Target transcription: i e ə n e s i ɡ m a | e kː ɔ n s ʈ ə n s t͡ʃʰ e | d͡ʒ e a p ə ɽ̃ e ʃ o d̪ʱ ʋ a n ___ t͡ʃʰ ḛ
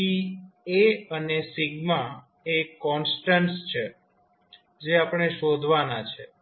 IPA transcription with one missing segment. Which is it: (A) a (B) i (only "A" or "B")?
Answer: A